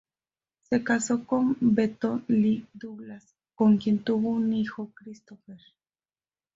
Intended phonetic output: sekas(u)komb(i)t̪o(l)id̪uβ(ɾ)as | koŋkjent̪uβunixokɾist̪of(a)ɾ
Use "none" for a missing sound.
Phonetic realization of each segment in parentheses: o, e, l, l, e

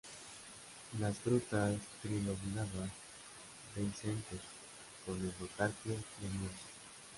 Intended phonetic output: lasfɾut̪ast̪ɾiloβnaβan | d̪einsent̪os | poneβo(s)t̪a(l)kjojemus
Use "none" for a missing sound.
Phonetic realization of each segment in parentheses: none, ɾ

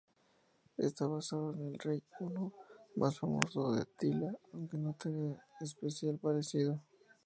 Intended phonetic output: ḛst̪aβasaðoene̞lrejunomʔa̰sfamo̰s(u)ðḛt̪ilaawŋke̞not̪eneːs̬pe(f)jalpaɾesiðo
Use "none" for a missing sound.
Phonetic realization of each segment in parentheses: o, s

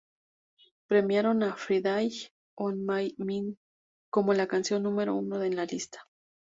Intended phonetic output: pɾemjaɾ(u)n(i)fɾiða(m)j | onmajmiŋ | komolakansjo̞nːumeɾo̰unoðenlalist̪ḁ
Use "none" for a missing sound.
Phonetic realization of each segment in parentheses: o, a, none

